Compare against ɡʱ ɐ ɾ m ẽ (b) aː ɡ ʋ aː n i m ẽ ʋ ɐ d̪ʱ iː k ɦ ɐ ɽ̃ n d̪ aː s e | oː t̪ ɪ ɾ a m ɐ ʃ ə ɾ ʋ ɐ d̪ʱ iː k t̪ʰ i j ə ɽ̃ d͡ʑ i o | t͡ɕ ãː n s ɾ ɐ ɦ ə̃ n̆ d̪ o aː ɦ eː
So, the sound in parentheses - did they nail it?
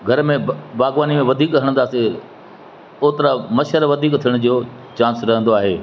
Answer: yes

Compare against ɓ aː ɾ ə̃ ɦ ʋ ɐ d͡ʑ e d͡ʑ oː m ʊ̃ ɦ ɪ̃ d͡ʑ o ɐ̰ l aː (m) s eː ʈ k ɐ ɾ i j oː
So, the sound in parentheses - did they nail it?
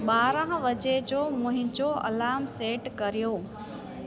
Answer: yes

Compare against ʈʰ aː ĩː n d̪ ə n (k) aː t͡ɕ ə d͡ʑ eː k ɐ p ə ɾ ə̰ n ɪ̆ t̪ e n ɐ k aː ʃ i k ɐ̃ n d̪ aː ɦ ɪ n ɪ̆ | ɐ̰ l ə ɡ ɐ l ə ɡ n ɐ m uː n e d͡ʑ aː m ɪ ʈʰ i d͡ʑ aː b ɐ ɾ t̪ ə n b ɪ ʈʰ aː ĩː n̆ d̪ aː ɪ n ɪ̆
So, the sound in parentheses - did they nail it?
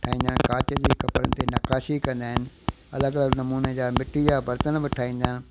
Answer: yes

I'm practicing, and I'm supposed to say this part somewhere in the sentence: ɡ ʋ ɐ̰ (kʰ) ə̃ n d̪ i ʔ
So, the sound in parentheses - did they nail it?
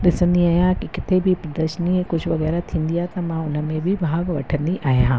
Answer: no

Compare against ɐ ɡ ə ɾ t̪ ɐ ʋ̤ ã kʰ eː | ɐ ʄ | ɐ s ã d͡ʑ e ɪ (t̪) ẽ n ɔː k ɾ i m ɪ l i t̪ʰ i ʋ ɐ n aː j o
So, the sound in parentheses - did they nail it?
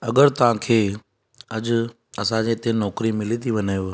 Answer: yes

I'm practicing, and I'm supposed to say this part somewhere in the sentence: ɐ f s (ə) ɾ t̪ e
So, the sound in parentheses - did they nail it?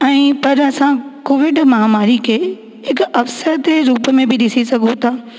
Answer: yes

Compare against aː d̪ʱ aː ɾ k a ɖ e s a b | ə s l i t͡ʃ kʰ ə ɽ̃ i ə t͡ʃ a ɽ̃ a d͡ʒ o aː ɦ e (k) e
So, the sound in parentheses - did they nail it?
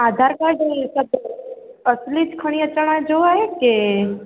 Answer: yes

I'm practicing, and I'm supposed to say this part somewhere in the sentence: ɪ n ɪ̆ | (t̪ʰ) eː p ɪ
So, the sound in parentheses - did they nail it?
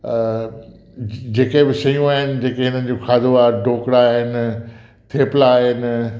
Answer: yes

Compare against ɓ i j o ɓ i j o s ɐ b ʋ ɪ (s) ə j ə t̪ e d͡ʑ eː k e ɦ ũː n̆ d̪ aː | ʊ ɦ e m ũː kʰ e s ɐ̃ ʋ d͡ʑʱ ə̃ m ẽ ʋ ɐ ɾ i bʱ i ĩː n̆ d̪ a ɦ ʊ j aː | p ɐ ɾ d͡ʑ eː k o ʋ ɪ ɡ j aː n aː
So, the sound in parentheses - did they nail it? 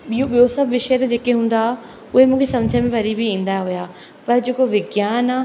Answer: no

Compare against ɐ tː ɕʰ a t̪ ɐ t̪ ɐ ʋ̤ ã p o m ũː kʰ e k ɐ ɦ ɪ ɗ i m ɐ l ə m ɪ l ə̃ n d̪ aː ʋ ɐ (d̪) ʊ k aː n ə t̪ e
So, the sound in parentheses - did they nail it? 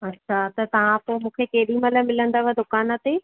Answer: yes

